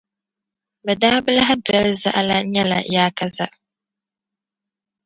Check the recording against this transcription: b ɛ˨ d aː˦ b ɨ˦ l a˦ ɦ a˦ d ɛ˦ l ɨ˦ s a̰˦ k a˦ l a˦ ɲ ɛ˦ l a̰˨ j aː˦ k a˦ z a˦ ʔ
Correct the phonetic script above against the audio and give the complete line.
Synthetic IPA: b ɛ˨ d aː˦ b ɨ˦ l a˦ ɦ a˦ d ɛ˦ l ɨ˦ z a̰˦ ʔ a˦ l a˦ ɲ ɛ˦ l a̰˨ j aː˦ k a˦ z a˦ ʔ